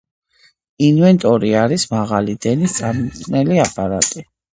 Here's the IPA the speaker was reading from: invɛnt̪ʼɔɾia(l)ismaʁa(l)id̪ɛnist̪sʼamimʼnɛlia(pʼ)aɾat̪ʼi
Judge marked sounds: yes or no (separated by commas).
no, yes, yes